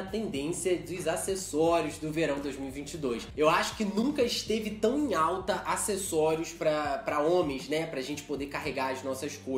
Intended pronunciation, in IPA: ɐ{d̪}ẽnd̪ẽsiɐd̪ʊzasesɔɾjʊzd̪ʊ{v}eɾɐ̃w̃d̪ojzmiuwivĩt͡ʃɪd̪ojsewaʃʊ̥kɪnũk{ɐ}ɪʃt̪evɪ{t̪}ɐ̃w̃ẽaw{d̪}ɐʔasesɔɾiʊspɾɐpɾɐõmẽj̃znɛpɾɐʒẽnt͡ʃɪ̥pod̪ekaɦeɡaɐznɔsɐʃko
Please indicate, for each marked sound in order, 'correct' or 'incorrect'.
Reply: incorrect: t̪, correct, correct, correct, incorrect: t̪

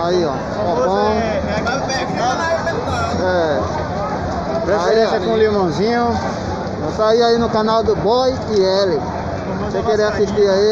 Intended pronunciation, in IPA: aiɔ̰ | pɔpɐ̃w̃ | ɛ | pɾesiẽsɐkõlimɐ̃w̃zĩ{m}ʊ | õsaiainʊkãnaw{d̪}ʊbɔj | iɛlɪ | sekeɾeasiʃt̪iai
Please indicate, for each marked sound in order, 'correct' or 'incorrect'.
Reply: incorrect: ɲ, correct

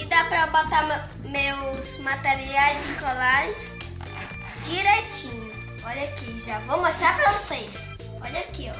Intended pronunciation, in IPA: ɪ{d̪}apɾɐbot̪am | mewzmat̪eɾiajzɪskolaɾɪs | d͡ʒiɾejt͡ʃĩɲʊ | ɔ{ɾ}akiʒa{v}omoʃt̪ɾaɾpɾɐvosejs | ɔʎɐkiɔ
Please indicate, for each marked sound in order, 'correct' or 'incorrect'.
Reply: correct, incorrect: ʎ, correct

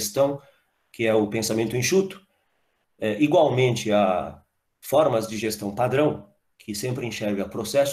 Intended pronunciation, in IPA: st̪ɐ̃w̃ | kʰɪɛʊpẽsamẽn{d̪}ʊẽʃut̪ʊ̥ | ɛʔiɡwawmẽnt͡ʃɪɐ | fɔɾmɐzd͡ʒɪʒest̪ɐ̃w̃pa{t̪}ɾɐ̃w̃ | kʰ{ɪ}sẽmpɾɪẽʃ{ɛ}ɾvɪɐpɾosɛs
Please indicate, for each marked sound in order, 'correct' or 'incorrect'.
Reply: incorrect: t̪, incorrect: d̪, correct, correct

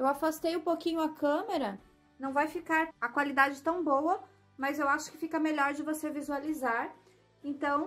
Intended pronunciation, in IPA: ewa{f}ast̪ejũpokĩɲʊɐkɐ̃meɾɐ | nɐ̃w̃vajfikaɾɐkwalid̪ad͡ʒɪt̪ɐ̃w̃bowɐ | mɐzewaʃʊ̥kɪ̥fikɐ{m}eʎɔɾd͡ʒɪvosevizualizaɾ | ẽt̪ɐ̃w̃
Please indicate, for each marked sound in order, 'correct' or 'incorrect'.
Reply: correct, correct

